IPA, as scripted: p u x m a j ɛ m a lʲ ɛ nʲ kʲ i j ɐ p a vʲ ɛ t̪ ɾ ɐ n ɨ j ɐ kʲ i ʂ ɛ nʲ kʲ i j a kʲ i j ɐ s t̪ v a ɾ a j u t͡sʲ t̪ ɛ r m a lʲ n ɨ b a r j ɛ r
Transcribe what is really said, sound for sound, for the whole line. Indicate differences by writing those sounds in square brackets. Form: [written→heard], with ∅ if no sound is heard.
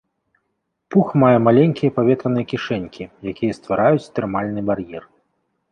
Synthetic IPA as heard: p u x m a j ɛ m a lʲ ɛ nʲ kʲ i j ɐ p a vʲ ɛ t̪ ɾ ɐ n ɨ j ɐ kʲ i ʂ ɛ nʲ kʲ i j a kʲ i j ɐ s t̪ v a ɾ a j u t͡sʲ t̪ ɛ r m a lʲ n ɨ b a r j ɛ r